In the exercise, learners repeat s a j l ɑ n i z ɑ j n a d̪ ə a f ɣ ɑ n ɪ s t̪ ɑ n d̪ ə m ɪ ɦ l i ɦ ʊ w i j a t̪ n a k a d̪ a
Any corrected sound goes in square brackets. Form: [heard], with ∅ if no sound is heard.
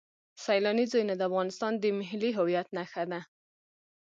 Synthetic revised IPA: s a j l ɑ n i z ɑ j n a d̪ ə a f ɣ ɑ n ɪ s t̪ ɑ n d̪ ə m ɪ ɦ l i ɦ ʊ w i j a t̪ n a [x] a d̪ a